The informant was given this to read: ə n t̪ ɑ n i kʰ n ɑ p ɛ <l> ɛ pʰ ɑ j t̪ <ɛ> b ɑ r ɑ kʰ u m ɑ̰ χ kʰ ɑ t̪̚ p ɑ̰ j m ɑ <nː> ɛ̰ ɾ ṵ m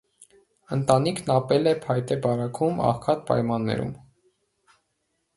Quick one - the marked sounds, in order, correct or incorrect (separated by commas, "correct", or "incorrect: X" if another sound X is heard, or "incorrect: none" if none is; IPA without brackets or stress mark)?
correct, correct, correct